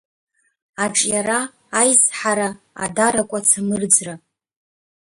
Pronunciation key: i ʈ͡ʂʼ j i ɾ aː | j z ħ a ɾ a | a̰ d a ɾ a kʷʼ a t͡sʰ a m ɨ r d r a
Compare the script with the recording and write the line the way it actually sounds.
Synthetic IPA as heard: a ʈ͡ʂʼ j a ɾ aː | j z ħ a ɾ a | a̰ d a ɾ a kʷʼ a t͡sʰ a m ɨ r d͡z r a